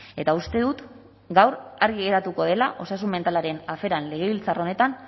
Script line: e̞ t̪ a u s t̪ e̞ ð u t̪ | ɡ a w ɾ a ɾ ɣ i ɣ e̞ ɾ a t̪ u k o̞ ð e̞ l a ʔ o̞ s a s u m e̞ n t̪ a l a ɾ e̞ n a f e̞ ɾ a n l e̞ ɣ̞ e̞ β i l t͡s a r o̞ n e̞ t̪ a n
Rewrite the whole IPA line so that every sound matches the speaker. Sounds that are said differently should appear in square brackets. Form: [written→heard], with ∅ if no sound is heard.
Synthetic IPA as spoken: e̞ t̪ a u s t̪ e̞ ð u t̪ | ɡ a w ɾ a ɾ ɣ i ɣ e̞ ɾ a t̪ u k o̞ ð e̞ l a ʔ o̞ s a s u m e̞ n t̪ a l a ɾ e̞ n a f e̞ ɾ a n l e̞ ɣ̞ e̞ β i l t͡s a r o̞ n e̞ t̪ a n